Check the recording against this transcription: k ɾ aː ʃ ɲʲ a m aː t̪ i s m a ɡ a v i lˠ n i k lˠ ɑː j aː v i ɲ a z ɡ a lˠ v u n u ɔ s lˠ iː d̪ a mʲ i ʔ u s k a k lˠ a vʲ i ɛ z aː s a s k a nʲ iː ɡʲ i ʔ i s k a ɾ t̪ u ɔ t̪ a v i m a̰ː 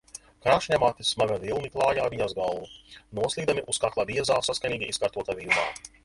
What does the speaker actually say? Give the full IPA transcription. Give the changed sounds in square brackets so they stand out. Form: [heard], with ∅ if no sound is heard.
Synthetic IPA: k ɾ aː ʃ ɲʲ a m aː t̪ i s m a ɡ a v i lˠ n i k lˠ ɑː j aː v i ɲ a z ɡ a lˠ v u n u ɔ s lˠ iː d̪ a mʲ i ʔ u s k a k lˠ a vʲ i ɛ z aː s a s k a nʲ iː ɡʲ i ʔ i s k a ɾ t̪ u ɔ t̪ a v i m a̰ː